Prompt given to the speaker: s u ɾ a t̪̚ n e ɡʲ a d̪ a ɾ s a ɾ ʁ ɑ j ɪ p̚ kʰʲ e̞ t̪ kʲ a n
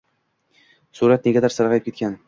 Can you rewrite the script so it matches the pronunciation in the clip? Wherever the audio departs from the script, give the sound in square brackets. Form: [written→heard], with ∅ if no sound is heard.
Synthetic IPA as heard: s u ɾ a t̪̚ n e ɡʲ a d̪ a ɾ s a ɾ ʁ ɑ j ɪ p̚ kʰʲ e̞ t̪ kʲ a n